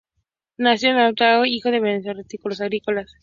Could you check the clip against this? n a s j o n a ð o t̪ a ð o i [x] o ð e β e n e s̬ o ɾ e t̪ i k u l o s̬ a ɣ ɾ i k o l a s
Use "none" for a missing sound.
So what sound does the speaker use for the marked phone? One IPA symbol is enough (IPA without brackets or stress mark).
x